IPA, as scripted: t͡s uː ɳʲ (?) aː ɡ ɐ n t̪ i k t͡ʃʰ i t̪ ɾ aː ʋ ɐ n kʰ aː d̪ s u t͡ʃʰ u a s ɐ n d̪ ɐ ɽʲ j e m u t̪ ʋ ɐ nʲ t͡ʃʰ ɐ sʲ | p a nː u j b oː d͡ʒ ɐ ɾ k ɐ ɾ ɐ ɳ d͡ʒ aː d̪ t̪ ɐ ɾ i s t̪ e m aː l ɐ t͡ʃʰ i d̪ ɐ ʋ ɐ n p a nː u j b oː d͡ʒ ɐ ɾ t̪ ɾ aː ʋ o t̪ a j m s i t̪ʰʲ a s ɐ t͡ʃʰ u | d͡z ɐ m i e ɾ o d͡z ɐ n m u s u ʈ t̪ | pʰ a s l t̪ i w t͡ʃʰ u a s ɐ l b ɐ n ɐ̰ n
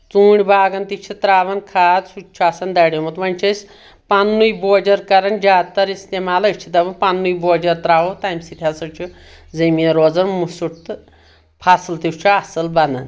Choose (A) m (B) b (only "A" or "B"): B